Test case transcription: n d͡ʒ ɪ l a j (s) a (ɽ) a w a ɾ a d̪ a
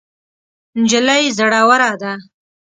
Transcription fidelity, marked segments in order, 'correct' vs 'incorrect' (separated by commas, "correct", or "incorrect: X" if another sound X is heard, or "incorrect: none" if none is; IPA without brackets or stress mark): incorrect: z, correct